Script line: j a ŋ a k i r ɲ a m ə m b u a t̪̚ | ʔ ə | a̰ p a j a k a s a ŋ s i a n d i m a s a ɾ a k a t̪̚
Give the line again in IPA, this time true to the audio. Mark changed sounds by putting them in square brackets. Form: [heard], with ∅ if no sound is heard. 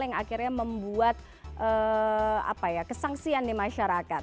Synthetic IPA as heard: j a ŋ a k i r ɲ a m ə m b u a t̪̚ | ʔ ə | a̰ p a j a k [ə] s a ŋ s i a n d i m a [ʃ] a ɾ a k a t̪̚